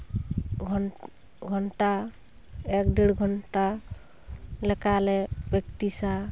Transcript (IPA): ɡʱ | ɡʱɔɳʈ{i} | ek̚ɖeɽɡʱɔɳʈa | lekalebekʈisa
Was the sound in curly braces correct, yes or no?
no